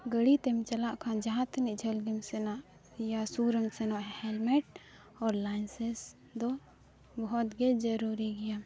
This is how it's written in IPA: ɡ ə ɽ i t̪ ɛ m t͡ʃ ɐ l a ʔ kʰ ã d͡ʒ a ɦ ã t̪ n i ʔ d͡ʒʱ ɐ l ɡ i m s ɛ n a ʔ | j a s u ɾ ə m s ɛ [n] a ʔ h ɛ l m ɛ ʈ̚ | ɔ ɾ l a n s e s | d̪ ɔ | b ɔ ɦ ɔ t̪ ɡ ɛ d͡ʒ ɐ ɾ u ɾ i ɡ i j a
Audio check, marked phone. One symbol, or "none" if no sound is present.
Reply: n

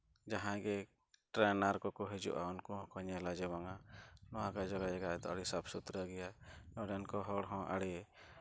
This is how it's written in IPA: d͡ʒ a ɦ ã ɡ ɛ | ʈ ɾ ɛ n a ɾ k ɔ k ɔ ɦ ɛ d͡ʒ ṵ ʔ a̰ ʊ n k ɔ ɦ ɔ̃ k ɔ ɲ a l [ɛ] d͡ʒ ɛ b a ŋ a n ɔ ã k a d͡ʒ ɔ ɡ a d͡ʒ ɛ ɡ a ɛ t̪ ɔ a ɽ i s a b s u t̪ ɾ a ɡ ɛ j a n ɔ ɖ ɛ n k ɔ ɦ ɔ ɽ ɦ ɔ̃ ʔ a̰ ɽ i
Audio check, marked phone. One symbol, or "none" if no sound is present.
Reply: a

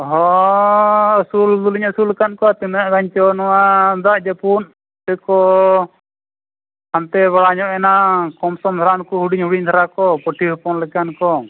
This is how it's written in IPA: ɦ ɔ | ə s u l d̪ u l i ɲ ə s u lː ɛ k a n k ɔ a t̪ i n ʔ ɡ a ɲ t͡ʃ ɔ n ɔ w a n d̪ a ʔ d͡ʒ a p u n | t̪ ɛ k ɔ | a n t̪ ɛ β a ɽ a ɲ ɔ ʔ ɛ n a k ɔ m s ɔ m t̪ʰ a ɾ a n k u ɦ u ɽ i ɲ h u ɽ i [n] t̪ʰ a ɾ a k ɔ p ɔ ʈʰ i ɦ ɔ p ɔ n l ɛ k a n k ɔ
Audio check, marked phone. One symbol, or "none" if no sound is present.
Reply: ɲ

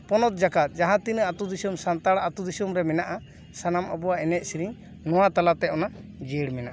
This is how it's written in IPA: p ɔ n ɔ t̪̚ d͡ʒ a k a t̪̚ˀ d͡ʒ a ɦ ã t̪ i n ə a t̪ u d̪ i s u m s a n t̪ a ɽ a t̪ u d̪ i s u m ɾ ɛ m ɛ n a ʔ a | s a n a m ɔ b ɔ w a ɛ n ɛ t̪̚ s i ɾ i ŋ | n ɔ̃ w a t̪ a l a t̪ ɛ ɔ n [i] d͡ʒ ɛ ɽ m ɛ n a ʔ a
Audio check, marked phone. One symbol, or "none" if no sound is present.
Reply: a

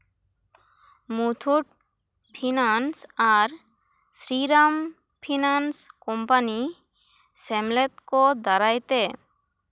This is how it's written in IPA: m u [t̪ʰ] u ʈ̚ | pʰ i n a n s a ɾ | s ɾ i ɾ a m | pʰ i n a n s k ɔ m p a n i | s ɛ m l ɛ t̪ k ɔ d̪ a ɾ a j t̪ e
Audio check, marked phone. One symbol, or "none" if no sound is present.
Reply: t̪ʰ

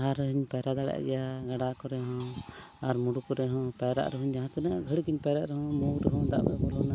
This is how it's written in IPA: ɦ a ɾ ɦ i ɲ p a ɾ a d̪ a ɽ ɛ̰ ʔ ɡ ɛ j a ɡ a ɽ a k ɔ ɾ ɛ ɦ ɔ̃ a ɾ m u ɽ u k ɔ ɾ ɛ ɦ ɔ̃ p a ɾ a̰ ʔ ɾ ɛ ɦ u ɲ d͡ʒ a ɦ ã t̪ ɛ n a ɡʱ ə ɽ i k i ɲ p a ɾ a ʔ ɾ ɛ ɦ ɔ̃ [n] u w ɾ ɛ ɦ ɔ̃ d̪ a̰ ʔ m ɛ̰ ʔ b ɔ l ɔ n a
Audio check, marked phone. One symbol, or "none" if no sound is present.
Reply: m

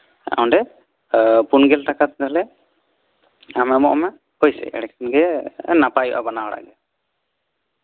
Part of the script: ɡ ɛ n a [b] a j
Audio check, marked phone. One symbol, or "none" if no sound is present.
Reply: p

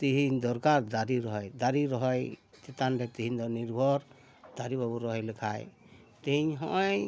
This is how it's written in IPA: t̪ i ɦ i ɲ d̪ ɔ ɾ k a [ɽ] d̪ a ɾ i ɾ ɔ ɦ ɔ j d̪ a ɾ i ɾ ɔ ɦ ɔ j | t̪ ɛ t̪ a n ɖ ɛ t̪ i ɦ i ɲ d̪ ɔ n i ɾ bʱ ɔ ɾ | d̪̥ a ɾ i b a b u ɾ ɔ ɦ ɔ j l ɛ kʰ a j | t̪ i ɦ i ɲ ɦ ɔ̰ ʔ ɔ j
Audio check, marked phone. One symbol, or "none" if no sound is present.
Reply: ɾ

